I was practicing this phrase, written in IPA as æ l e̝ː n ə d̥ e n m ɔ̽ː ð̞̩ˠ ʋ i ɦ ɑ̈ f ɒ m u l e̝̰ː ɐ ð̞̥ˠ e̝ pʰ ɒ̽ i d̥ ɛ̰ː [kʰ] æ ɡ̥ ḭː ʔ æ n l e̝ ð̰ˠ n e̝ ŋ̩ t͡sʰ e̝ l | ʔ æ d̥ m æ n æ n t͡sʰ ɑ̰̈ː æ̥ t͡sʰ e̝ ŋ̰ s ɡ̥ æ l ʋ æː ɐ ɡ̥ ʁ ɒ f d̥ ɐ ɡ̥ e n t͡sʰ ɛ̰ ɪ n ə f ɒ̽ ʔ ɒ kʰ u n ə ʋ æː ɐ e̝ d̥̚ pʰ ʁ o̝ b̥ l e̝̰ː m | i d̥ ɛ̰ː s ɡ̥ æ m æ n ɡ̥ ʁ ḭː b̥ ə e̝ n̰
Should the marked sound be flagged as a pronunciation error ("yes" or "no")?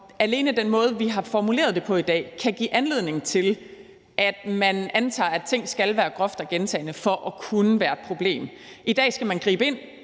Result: no